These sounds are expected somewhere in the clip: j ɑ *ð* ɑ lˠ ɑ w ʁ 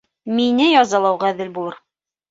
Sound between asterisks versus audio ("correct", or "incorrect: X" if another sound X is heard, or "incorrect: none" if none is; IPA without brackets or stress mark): incorrect: z